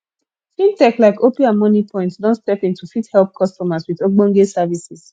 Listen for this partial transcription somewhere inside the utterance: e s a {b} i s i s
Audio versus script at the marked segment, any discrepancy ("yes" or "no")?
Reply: yes